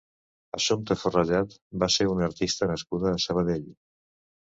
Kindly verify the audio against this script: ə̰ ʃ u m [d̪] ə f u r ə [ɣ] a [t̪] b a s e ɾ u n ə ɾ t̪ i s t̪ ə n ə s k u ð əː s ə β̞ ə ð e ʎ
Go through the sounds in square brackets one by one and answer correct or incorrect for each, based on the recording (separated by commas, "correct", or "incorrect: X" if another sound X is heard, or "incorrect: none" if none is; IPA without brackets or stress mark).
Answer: incorrect: t̪, incorrect: ʒ, correct